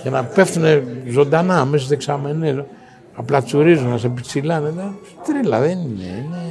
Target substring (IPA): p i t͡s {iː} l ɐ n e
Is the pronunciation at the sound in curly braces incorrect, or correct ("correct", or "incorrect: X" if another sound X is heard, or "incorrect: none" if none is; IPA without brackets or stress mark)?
incorrect: i